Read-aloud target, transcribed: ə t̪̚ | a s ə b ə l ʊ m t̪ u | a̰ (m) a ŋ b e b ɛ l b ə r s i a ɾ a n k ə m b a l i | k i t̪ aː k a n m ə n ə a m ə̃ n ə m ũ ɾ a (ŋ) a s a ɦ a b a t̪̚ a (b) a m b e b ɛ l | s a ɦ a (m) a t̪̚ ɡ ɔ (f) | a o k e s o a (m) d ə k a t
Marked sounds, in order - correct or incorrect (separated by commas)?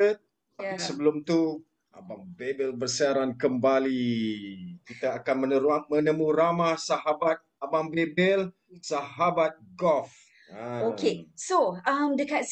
incorrect, incorrect, correct, incorrect, correct, correct